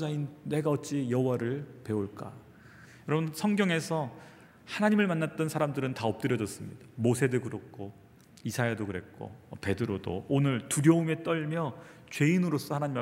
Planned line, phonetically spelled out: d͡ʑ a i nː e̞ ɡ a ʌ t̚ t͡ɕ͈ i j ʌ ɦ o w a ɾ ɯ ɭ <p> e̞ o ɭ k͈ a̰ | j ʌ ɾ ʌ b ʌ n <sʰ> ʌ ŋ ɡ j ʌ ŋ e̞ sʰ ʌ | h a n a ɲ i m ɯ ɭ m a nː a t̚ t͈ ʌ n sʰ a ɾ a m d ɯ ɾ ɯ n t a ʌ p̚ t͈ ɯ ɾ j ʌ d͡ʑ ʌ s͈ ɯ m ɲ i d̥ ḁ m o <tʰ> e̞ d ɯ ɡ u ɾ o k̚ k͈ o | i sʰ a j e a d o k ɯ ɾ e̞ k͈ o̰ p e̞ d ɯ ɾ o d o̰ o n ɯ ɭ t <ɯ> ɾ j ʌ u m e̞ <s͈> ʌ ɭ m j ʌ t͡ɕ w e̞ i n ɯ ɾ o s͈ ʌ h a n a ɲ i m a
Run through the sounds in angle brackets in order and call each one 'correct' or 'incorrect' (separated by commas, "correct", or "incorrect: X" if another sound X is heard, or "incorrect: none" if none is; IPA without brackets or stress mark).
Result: correct, correct, incorrect: sʰ, incorrect: u, incorrect: t͈